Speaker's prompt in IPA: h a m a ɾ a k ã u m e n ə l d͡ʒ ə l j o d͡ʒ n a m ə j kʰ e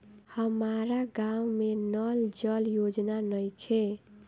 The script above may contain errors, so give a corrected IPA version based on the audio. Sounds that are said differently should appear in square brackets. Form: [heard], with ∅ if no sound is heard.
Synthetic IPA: h [ə] m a ɾ a [ɡ] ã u m e n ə l d͡ʒ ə l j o d͡ʒ n a [n] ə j kʰ e